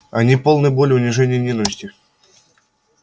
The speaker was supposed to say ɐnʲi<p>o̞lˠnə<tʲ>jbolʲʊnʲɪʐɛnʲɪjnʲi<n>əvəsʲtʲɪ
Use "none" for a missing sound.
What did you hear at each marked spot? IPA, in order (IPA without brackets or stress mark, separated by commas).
p, none, n